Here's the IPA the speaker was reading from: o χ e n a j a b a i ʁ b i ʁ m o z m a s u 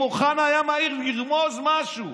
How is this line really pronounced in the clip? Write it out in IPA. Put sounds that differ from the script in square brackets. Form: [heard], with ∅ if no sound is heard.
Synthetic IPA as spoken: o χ [a] n a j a [m] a i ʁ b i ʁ m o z m a [ʃ] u